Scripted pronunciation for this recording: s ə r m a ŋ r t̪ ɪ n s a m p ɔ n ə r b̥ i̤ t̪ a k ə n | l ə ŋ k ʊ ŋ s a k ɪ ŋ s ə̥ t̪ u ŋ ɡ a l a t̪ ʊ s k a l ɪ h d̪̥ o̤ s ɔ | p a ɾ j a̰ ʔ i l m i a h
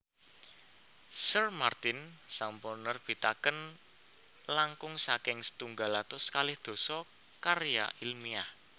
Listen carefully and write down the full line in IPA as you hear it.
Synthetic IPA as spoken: s ə r m a r t̪ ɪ n s a m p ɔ n ə r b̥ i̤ t̪ a k ə n | l a ŋ k ʊ ŋ s a k ɪ ŋ s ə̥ t̪ u ŋ ɡ a l a t̪ ʊ s k a l ɪ h d̪̥ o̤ s ɔ | k a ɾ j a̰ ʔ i l m i a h